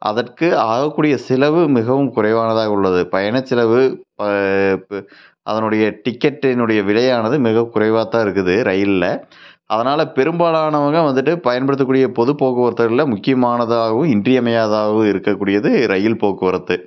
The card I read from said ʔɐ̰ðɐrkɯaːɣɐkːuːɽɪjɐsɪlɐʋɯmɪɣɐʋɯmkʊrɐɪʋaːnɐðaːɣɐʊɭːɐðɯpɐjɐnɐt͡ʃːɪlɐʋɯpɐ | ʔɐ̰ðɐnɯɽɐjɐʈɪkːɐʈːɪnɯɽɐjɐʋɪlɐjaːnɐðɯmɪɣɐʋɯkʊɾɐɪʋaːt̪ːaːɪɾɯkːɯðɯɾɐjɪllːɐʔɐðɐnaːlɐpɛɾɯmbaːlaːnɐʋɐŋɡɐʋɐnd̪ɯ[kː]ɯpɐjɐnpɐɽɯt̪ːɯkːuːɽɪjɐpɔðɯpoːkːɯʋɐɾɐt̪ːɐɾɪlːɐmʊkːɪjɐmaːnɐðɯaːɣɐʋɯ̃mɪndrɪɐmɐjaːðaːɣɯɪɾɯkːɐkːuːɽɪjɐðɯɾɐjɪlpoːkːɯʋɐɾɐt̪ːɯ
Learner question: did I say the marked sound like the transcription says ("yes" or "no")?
no